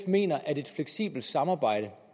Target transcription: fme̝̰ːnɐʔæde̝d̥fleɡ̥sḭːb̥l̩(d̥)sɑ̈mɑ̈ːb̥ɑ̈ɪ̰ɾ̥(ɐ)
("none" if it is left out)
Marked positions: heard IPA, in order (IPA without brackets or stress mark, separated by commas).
d̥, ə